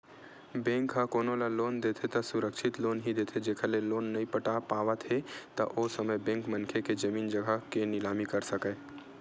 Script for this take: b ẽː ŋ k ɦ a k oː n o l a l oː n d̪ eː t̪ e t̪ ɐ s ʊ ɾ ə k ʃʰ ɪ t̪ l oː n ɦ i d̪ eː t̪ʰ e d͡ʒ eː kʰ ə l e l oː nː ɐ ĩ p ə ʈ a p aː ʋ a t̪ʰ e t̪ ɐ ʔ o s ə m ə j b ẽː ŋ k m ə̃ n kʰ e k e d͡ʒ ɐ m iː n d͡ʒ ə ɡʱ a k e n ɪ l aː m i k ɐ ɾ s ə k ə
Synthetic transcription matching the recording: b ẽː ŋ k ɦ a k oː n o l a l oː n d̪ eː t̪ʰ e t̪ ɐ s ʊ ɾ ə k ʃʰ ɪ t̪ l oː n ɦ i d̪ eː t̪ʰ e d͡ʒ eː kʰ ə l e l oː nː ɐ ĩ p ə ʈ a p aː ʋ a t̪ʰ e t̪ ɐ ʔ o s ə m ə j b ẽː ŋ k m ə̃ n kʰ e k e d͡ʒ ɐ m iː n d͡ʒ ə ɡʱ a k e n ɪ l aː m i k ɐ ɾ s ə k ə